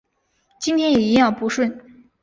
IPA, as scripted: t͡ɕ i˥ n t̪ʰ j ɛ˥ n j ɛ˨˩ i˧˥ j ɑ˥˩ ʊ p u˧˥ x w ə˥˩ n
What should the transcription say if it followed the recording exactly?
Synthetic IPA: t͡ɕ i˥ n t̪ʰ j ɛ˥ n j ɛ˨˩ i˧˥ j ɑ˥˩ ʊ p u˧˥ ʂ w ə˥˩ n